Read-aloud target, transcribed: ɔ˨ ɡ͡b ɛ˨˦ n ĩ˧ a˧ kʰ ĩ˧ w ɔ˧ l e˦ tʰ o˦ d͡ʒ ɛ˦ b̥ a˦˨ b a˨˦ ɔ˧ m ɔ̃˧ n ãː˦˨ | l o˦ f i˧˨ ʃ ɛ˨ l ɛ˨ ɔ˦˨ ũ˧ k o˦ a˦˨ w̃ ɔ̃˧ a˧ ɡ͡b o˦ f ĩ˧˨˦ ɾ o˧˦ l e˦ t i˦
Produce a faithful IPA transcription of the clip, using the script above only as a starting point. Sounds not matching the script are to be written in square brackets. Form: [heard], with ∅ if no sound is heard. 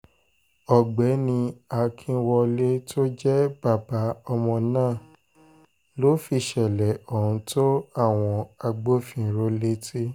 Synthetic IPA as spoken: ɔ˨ ɡ͡b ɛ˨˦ n ĩ˧ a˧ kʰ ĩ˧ w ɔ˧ l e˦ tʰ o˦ d͡ʒ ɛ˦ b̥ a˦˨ b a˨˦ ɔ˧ m ɔ̃˧ n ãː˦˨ | l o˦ f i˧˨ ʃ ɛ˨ l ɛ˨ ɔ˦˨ ũ˧ [t] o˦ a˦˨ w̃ ɔ̃˧ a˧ ɡ͡b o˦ f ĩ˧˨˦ ɾ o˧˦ l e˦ t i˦